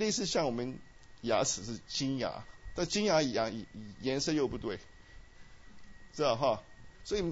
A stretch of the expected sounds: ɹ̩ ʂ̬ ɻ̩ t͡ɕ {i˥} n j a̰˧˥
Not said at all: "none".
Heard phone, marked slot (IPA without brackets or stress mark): i˥